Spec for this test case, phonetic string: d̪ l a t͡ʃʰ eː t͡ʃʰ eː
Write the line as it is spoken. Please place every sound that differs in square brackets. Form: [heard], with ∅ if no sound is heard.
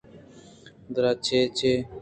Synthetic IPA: d̪ [ɾ] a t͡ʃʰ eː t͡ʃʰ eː